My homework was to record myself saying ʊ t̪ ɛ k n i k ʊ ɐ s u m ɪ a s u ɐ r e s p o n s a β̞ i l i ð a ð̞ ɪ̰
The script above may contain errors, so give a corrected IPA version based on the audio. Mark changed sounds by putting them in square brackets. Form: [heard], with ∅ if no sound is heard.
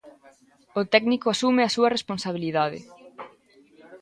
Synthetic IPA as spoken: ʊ t̪ ɛ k n i k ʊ [a] s u m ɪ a s u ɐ r e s p o n s a β̞ i l i ð a ð̞ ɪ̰